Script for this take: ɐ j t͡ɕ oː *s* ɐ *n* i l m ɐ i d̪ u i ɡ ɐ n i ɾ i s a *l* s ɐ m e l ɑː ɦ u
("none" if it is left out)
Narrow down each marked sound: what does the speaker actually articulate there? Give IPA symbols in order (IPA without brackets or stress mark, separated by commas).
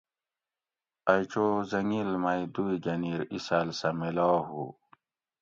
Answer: z, ŋ, l